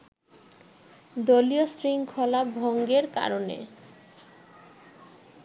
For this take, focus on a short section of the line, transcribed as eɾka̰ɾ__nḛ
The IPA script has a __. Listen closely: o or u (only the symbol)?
o